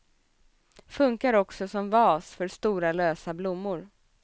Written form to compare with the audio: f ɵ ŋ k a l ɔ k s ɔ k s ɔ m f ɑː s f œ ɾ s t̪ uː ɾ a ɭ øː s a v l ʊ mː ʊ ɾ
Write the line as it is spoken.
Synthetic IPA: f ɵ ŋ k a ɾ ɔ k s ɔ s ɔ m v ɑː s f œ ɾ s t̪ uː ɾ a l øː s a b l ʊ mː ʊ ɾ